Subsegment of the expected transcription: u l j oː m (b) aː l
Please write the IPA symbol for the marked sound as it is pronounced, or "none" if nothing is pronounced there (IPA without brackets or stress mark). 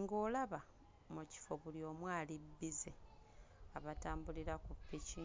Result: w